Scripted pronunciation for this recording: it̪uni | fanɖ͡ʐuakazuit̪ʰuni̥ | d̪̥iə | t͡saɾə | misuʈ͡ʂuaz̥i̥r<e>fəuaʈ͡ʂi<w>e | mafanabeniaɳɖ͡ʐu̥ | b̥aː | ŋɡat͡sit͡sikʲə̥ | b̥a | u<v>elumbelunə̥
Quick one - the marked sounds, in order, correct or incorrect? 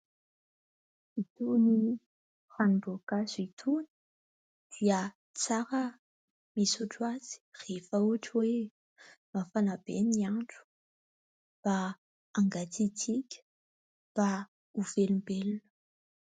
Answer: correct, correct, correct

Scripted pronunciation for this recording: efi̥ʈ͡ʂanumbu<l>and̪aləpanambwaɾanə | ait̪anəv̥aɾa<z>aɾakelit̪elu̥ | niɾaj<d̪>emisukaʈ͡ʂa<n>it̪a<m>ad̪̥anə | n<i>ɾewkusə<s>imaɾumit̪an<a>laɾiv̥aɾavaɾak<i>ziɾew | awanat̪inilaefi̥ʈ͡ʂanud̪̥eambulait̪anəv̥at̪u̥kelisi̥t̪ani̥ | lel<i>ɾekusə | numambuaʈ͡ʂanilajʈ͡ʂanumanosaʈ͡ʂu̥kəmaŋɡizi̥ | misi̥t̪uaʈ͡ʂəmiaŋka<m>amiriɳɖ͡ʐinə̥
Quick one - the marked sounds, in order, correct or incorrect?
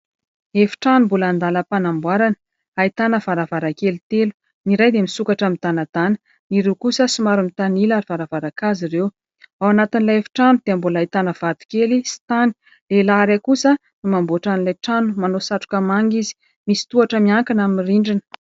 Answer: correct, incorrect: v, correct, incorrect: m, incorrect: n, correct, correct, incorrect: i, incorrect: a, incorrect: a, incorrect: n

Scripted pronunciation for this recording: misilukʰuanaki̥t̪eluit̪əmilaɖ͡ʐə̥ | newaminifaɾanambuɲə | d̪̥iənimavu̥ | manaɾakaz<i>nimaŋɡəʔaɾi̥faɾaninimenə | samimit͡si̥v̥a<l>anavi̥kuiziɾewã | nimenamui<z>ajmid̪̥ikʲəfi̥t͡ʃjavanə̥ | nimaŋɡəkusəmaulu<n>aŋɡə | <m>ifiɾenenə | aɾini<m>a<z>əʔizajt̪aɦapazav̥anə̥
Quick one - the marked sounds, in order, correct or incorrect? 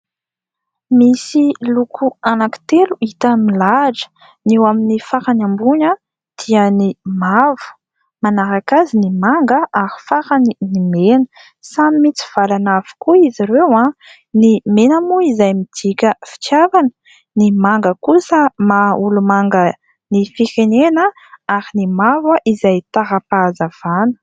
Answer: correct, correct, correct, incorrect: m, incorrect: n, correct, incorrect: v

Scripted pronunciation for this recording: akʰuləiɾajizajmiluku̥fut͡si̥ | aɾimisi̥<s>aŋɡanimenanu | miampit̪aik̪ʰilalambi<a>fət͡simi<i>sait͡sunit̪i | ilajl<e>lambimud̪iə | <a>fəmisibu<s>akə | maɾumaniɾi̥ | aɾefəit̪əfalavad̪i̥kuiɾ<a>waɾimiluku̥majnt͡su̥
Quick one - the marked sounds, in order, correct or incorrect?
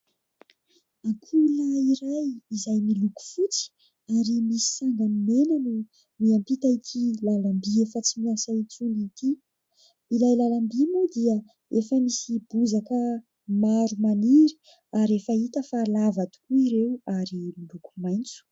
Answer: correct, incorrect: e, incorrect: a, incorrect: a, incorrect: e, incorrect: z, incorrect: e

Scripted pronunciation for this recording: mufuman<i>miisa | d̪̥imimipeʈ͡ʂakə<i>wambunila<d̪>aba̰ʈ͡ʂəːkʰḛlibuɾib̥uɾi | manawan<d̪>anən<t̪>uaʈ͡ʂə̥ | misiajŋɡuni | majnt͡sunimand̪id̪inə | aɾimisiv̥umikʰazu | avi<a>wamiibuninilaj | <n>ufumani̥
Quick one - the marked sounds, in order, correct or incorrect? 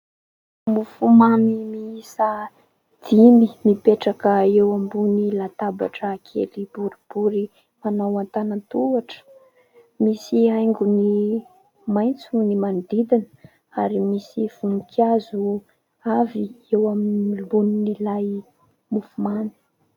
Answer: correct, incorrect: e, incorrect: t̪, incorrect: t̪, correct, incorrect: e, incorrect: m

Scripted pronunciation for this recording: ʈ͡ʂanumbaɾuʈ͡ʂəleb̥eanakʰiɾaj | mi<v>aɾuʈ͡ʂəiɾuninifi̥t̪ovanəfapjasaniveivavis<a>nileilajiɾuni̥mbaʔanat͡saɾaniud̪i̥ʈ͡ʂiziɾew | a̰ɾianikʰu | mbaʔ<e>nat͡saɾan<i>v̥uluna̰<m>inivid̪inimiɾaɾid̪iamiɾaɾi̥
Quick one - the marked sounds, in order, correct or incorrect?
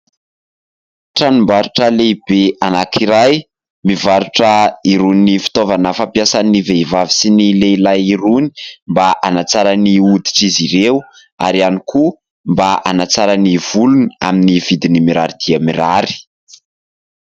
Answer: correct, incorrect: i, incorrect: a, correct, correct

